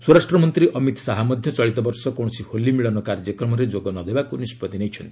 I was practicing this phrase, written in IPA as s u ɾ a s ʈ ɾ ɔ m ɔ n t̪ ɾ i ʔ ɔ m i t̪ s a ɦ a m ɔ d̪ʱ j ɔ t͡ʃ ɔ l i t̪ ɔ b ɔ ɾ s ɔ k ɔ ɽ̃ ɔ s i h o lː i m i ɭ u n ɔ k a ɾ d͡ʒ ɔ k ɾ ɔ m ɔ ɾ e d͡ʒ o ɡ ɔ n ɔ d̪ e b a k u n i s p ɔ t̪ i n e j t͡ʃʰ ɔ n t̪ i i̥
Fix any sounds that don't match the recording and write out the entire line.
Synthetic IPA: s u ɾ a s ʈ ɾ ɔ m ɔ n t̪ ɾ i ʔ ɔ m i t̪ s a ɦ a m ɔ d̪ʱ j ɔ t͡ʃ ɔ ɭ i t̪ ɔ b ɔ ɾ s ɔ k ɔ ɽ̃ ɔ s i h o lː i m i ɭ ɔ n ɔ k a ɾ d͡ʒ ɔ k ɾ ɔ m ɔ ɾ e d͡ʒ o ɡ ɔ n ɔ d̪ e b a k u n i s p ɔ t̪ i n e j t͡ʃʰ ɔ n t̪ i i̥